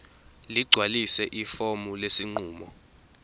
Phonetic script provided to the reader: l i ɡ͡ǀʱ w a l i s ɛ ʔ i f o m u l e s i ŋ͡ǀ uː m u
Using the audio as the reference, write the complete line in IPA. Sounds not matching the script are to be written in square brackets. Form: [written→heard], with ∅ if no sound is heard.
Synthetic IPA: l i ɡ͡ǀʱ w a l i s ɛ ʔ i f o m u l e s i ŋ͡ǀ uː m [u→ɔ]